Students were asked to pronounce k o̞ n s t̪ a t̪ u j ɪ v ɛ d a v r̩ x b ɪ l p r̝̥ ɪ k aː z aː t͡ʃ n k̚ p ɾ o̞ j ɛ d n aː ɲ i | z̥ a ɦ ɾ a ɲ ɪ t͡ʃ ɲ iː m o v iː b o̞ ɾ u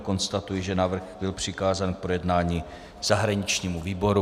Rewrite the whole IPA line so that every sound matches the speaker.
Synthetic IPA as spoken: k o̞ n s t̪ a t̪ u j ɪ ʒ ɛ n a v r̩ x b ɪ l p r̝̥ ɪ k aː z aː n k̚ p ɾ o̞ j ɛ d n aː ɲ i | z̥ a ɦ ɾ a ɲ ɪ t͡ʃ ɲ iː m u v iː b o̞ ɾ u